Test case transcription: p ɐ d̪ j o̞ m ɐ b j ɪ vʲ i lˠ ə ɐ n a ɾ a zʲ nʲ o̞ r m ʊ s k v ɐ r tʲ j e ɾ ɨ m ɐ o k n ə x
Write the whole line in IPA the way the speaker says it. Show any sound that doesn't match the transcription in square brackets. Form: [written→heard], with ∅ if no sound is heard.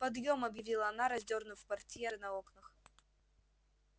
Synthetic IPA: p ɐ d̪ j o̞ m ɐ b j ɪ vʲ i lˠ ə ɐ n a ɾ [a→ɐ] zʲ [nʲ→dʲ] o̞ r [m→n] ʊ [s→f] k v ɐ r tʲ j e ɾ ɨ [m→n] ɐ o k n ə x